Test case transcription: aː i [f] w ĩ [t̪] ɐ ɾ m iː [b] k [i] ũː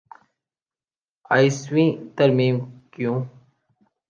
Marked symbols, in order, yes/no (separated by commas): no, yes, no, no